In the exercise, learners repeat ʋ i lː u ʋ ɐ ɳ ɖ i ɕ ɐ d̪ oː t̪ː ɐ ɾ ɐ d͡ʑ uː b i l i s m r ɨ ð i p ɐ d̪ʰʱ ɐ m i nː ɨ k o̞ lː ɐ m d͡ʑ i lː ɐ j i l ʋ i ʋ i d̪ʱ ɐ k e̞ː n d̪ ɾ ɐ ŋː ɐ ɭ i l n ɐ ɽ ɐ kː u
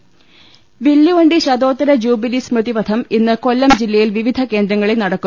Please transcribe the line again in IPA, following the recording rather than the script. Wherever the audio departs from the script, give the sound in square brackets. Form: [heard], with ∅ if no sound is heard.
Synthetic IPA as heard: ʋ i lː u ʋ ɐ ɳ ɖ i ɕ ɐ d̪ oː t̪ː ɐ ɾ ɐ d͡ʑ uː b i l i s m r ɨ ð i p ɐ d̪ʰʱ ɐ m i nː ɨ k o̞ lː ɐ m d͡ʑ i lː ɐ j i l ʋ i ʋ i d̪ʱ ɐ k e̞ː n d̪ ɾ ɐ ŋː ɐ ɭ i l n ɐ ɽ ɐ kː u

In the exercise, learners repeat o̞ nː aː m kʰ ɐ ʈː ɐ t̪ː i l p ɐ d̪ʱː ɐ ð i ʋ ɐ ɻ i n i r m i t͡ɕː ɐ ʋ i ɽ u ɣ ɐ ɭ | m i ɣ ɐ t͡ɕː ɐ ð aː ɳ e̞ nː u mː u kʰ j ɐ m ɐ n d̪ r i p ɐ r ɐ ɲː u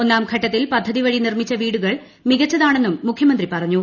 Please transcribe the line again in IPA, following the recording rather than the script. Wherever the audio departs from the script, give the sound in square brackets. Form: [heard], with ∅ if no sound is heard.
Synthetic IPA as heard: o̞ nː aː m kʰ ɐ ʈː ɐ t̪ː i l p ɐ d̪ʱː ɐ ð i ʋ ɐ ɻ i n i r m i t͡ɕː ɐ ʋ [iː] ɽ u ɣ ɐ ɭ | m i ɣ ɐ t͡ɕː ɐ ð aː ɳ e̞ nː u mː u kʰ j ɐ m ɐ n d̪ r i p ɐ r ɐ ɲː u

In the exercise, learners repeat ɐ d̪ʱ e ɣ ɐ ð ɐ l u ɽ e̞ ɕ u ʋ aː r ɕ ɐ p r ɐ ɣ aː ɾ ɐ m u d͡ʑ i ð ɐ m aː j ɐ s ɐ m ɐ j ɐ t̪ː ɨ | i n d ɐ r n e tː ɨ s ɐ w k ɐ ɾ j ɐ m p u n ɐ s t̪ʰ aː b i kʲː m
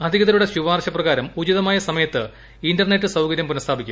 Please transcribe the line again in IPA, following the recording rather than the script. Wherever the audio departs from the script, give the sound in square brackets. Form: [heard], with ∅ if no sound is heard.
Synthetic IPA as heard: ɐ d̪ʱ [i] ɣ ɐ ð ɐ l u ɽ e̞ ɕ u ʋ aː r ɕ ɐ p r ɐ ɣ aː ɾ ɐ m u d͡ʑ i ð ɐ m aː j ɐ s ɐ m ɐ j ɐ t̪ː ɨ | i n d ɐ r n e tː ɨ s ɐ w k ɐ ɾ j ɐ m p u n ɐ s t̪ʰ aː b i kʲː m

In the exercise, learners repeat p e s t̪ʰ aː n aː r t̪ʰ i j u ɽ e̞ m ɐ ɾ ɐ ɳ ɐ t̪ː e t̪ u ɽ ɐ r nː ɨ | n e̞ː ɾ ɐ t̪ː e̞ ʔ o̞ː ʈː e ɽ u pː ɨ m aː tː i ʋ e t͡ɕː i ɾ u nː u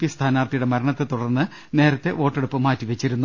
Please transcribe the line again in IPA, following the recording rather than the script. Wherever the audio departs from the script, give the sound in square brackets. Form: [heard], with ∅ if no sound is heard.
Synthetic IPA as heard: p [i] s t̪ʰ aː n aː r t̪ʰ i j u ɽ e̞ m ɐ ɾ ɐ ɳ ɐ t̪ː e t̪ u ɽ ɐ r nː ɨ | n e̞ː ɾ ɐ t̪ː e̞ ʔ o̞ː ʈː e ɽ u pː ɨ m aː tː i ʋ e t͡ɕː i ɾ u nː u

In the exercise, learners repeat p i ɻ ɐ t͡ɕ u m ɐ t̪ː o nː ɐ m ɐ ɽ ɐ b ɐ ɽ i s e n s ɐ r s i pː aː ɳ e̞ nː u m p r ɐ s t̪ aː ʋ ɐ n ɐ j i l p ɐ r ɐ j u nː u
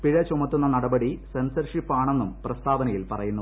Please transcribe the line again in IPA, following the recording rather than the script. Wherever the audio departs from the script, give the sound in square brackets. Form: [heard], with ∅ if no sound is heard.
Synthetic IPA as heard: p i ɻ ɐ t͡ɕ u m ɐ t̪ː [u] nː ɐ [n] ɐ ɽ ɐ b ɐ ɽ i s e n s ɐ r [ʂ] i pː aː ɳ e̞ nː u m p r ɐ s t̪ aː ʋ ɐ n ɐ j i l p ɐ r ɐ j u nː u

